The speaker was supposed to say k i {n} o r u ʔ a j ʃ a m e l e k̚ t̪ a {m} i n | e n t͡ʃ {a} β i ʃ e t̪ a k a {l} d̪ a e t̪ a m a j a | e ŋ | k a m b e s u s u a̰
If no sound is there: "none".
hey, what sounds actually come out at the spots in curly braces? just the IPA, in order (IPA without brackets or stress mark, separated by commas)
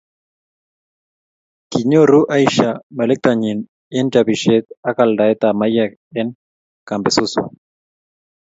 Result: ɲ, ɲ, a, l